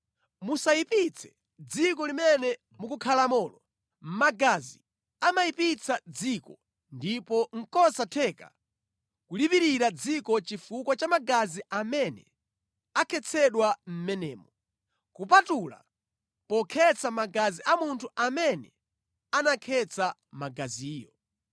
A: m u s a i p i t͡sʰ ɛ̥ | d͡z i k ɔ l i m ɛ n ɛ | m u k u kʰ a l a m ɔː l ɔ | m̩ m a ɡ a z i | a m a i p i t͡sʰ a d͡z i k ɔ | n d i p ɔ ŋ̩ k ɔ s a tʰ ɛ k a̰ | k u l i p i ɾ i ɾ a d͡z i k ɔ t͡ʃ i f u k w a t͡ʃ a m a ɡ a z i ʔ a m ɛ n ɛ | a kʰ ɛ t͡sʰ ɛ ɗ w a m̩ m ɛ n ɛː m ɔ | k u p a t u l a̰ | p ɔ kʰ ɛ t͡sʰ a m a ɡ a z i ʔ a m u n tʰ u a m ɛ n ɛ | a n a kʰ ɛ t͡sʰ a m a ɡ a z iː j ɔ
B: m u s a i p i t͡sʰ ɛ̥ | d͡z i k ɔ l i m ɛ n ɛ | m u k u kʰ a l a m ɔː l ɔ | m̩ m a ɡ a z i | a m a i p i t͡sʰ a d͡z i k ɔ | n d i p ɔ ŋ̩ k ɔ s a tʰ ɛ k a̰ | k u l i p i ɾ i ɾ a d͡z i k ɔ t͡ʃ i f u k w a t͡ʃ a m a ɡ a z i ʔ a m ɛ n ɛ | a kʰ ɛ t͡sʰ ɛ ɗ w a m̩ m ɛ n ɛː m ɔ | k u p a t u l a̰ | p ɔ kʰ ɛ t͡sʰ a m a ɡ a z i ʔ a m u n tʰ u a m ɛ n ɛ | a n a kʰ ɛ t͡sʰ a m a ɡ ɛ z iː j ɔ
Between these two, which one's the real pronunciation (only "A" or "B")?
A